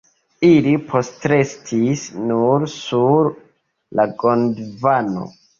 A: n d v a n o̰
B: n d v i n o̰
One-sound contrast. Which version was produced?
A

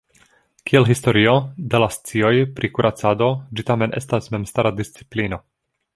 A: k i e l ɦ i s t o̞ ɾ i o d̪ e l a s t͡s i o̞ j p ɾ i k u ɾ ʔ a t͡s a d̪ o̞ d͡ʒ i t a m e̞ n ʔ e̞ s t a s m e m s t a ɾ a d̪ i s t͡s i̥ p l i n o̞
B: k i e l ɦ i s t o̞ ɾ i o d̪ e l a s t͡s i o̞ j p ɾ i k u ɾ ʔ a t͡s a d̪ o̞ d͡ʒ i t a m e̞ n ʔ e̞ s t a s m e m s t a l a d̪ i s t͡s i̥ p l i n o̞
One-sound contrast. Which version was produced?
A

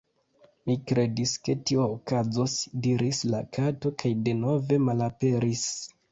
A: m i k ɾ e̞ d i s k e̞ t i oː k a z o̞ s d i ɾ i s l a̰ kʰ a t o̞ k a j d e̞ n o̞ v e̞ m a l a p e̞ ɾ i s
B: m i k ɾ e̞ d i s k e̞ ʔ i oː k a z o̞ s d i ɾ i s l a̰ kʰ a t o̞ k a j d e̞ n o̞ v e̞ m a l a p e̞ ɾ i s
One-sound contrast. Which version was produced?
A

